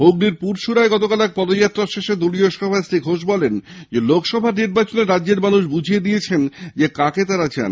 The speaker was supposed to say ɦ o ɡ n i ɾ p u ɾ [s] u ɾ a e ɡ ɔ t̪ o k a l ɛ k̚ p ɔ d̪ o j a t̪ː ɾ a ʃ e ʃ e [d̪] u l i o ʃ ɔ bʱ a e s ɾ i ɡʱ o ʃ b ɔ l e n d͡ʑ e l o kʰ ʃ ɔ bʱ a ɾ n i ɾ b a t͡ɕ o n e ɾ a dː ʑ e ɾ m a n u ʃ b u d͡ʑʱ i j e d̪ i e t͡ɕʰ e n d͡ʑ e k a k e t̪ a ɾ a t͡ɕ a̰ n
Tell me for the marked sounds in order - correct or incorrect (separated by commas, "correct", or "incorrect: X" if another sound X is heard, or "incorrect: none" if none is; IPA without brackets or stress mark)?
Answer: incorrect: ʃ, correct